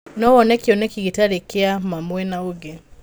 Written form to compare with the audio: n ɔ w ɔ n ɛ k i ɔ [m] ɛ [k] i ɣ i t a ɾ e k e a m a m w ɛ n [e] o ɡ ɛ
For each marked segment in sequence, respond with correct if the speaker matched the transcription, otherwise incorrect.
incorrect, correct, incorrect

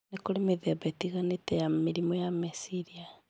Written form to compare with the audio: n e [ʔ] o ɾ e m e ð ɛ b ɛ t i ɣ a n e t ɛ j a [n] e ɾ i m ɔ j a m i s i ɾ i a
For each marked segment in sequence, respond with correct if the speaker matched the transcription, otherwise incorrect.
incorrect, incorrect

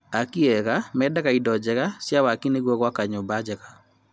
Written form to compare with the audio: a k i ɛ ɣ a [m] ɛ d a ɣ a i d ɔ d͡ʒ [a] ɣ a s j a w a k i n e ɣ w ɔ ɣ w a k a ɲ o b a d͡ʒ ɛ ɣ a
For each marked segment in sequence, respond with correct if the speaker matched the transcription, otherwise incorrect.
correct, incorrect

